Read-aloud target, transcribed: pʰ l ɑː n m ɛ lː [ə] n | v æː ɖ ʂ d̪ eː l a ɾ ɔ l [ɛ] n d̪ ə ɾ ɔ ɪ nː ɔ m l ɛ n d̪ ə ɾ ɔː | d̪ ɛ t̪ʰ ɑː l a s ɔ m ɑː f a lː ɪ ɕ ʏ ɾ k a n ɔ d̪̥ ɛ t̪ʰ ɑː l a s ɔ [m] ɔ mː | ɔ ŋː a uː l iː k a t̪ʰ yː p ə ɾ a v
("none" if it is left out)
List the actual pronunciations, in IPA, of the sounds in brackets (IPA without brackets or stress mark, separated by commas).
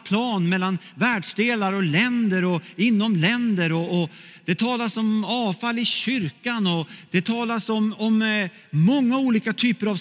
a, ɛ, m